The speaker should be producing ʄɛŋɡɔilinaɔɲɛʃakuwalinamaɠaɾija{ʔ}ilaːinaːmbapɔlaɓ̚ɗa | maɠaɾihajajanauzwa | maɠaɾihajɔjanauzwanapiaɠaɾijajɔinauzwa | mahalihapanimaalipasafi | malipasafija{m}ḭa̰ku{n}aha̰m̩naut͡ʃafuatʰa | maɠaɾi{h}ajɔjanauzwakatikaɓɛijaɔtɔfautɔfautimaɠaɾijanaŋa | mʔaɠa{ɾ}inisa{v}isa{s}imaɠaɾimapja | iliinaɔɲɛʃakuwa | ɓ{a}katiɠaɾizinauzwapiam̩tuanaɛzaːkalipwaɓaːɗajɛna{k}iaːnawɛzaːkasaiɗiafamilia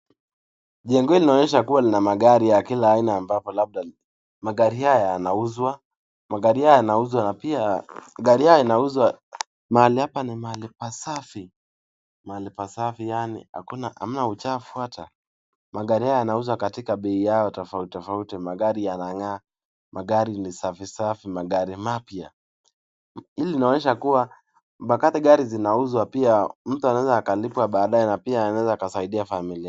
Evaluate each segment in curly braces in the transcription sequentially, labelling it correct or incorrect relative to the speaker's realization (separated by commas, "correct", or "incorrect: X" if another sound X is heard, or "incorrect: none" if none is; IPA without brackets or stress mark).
incorrect: k, incorrect: n, correct, correct, correct, incorrect: f, incorrect: f, correct, incorrect: p